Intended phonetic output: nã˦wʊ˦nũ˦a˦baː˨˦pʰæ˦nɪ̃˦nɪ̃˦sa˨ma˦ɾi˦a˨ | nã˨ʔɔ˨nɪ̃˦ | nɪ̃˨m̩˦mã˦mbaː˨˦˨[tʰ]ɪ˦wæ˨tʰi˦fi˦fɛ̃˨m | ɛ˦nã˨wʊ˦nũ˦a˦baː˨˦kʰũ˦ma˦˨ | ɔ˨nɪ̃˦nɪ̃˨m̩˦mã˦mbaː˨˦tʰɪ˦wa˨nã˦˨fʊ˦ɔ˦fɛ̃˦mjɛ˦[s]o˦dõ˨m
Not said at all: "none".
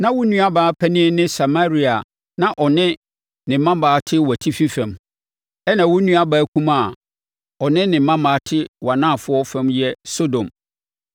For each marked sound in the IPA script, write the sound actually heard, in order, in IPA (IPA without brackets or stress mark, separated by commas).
tʰ, s